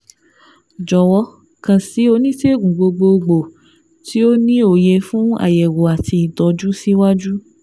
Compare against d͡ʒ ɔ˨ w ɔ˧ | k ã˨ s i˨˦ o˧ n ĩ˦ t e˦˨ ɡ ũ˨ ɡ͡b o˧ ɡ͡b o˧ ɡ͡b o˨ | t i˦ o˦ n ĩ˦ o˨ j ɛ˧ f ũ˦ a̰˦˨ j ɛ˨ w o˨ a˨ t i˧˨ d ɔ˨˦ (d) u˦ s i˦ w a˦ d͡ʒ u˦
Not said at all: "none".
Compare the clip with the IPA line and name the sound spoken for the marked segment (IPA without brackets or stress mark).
d͡ʒ